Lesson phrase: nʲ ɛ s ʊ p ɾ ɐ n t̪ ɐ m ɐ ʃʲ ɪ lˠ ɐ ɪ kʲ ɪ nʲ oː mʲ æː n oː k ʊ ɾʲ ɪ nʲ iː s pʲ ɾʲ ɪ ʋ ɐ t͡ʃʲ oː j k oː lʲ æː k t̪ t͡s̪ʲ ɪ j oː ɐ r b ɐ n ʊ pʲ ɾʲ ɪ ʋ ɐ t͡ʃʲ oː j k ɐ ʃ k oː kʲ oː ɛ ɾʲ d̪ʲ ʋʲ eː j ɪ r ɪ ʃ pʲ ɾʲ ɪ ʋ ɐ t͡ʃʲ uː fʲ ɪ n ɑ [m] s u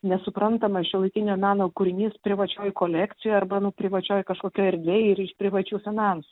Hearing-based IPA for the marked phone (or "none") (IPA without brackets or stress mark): n